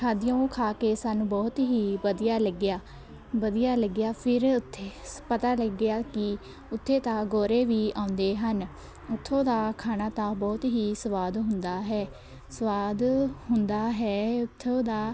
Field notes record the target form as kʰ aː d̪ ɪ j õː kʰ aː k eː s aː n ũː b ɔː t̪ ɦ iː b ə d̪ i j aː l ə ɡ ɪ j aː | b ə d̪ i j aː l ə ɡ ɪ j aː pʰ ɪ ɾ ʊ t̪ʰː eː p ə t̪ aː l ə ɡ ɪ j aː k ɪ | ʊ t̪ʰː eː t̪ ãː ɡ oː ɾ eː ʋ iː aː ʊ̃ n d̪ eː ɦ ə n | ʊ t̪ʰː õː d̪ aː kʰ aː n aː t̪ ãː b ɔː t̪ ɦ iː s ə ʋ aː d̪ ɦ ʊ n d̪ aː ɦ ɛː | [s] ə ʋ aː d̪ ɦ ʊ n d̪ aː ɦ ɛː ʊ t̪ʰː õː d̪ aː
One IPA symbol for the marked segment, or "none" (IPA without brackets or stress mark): s